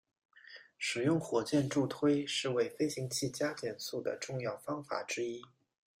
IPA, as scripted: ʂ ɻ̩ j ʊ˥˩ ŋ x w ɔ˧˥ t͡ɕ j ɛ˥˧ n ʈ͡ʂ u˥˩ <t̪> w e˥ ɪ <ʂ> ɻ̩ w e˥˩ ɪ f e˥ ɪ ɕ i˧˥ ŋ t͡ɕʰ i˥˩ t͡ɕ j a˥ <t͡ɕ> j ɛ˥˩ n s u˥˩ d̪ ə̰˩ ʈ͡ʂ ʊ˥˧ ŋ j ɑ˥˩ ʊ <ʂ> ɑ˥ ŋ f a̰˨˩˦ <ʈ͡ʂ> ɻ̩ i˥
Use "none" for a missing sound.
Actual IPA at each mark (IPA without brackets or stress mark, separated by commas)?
t̪ʰ, ʂ, t͡ɕ, f, ʈ͡ʂ